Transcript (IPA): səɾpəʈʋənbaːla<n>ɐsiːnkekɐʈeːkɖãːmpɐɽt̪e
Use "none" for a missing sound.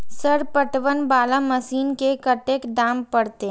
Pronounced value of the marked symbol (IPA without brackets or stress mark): m